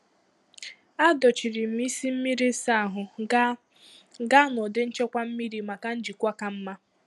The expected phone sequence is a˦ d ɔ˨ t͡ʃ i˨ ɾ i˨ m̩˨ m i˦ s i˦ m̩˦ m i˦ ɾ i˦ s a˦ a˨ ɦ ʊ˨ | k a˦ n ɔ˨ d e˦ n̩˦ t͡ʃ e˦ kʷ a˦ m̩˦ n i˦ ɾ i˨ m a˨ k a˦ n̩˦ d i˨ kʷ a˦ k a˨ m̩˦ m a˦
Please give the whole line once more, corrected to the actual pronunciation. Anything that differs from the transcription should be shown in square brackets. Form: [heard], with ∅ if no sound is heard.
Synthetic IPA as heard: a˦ d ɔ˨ t͡ʃ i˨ ɾ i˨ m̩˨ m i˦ s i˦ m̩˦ m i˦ ɾ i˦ s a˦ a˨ ɦ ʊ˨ | [ɡ] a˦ n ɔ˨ d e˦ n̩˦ t͡ʃ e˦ kʷ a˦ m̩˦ [m] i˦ ɾ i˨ m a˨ k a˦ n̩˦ [d͡ʒ] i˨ kʷ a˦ k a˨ m̩˦ m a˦